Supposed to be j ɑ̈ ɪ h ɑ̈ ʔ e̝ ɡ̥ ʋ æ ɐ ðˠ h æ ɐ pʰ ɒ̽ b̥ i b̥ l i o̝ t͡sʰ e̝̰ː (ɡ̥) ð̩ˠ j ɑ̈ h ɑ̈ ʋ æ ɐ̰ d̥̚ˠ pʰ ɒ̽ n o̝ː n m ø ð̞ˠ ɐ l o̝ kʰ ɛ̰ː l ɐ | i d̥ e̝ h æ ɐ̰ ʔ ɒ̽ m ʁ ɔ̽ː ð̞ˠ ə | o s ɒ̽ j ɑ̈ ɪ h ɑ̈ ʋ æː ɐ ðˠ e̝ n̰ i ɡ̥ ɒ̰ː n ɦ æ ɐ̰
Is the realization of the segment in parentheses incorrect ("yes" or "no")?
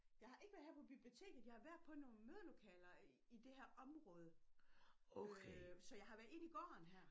no